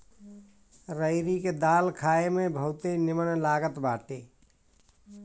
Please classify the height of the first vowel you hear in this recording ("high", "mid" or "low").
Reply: mid